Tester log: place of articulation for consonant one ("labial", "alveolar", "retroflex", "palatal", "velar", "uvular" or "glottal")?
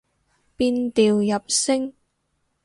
labial